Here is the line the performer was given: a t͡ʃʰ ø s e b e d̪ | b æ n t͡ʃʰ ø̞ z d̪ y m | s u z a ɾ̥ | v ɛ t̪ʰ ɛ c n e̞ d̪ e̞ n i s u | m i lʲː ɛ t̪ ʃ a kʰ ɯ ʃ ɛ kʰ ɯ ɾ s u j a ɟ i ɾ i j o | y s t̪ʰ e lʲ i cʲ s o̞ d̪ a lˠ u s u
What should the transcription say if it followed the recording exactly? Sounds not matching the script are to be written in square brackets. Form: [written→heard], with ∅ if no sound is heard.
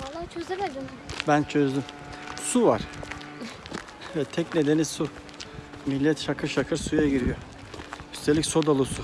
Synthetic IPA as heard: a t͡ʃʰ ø [s→z] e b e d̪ | b æ n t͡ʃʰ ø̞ z d̪ y m | s u [z→v] a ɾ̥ | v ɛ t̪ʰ ɛ c n e̞ d̪ e̞ n i s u | m i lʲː ɛ t̪ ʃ a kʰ ɯ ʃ [ɛ→a] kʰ ɯ ɾ s u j a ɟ i ɾ i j o | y s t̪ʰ e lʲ i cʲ s o̞ d̪ a lˠ u s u